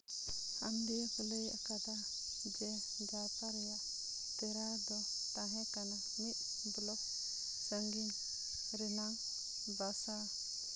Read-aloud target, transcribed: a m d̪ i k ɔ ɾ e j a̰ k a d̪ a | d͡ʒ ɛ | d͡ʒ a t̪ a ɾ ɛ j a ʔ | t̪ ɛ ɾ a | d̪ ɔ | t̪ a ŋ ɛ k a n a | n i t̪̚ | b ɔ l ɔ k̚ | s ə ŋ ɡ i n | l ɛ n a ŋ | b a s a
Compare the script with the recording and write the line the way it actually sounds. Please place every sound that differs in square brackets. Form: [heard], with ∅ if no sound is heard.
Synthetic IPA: a m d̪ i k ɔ [l] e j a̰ k a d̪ a | d͡ʒ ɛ | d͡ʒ a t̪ a ɾ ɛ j a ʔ | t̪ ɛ ɾ a | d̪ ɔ | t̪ a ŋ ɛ k a n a | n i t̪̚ | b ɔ l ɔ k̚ | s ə ŋ ɡ i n | [ɾ] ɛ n a ŋ | b a s a